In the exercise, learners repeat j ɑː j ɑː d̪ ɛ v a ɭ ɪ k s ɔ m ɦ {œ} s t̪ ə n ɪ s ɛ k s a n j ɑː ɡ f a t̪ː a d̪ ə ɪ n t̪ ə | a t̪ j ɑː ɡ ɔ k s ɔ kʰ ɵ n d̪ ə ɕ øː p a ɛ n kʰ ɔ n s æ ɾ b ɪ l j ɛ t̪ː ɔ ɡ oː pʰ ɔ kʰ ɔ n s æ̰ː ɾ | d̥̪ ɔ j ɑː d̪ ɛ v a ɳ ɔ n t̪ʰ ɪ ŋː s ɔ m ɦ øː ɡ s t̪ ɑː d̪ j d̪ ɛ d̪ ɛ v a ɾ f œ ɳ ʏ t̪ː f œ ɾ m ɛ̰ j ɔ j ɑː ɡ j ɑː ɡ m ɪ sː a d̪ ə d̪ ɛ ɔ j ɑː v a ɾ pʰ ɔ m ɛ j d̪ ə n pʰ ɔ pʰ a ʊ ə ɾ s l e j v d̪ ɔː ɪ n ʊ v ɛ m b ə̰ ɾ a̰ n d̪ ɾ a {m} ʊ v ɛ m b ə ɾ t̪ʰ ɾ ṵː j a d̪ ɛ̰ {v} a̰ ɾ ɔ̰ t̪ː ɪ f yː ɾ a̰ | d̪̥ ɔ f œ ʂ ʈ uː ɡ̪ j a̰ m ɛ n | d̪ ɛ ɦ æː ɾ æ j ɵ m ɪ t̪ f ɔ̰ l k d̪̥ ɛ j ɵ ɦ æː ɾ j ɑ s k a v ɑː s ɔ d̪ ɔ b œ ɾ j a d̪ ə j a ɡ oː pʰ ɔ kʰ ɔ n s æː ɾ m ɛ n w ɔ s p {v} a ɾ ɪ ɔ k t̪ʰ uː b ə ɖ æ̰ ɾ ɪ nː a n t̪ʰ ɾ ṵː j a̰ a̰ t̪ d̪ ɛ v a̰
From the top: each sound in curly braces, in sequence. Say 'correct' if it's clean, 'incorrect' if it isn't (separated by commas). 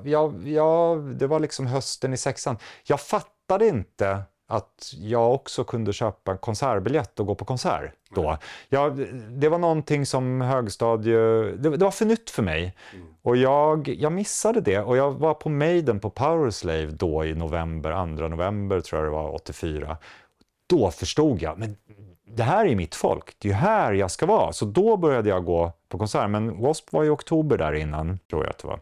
correct, incorrect, correct, correct